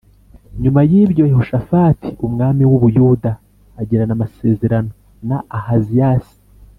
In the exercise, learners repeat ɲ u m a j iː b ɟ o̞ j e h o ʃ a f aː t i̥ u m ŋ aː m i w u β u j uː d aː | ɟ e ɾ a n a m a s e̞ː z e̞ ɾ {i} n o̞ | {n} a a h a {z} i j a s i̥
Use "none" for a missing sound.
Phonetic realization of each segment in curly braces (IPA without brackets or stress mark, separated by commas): a, n, z